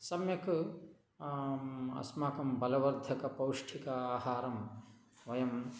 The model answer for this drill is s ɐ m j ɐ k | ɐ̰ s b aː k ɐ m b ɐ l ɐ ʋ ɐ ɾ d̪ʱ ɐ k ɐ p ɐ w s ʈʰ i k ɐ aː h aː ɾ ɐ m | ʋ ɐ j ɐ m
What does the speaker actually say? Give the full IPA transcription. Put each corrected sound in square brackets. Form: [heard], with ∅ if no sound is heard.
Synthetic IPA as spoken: s ɐ m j ɐ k | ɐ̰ s [m] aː k ɐ m b ɐ l ɐ ʋ ɐ ɾ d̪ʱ ɐ k ɐ p ɐ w [ʂ] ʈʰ i k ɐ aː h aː ɾ ɐ m | ʋ ɐ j ɐ m